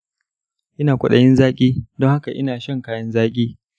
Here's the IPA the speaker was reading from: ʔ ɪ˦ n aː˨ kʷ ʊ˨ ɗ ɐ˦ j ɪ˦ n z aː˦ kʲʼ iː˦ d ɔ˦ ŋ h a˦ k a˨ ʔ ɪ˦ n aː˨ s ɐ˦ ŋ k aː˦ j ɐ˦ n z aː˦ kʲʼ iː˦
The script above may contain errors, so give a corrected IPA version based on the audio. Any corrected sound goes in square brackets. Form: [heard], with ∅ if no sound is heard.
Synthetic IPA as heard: ʔ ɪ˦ n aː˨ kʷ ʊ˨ ɗ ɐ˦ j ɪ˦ n z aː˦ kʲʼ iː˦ d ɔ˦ ŋ h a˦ k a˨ ʔ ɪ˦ n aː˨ [ʃ] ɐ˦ ŋ k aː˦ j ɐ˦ n z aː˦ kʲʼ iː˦